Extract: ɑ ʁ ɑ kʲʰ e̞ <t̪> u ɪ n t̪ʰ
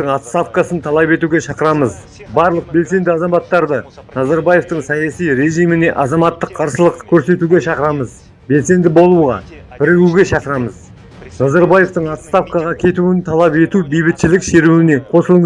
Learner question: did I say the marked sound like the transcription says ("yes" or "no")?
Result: yes